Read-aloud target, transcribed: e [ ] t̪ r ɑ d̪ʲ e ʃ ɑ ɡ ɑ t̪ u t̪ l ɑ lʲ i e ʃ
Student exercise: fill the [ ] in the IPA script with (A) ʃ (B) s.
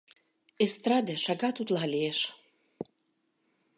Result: B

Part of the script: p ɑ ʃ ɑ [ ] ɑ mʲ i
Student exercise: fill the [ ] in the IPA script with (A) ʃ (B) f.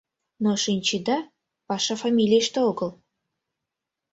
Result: B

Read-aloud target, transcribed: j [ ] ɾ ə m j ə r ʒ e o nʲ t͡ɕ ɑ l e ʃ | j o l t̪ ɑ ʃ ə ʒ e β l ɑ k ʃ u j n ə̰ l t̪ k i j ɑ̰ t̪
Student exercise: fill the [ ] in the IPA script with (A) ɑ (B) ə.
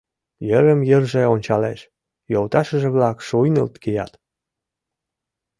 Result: B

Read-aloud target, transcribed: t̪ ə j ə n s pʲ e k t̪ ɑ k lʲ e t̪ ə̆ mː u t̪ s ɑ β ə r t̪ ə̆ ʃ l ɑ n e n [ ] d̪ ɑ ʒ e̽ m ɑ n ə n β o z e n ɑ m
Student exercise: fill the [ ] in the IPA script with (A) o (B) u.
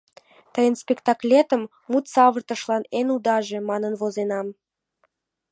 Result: B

